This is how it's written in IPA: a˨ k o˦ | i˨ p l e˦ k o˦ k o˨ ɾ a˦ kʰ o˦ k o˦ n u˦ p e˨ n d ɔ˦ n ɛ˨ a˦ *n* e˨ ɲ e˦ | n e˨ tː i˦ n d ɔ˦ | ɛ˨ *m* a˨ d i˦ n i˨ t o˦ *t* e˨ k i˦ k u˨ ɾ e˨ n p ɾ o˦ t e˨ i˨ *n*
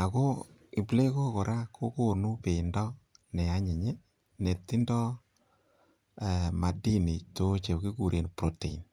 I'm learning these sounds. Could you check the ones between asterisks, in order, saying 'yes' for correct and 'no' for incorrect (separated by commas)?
no, yes, no, yes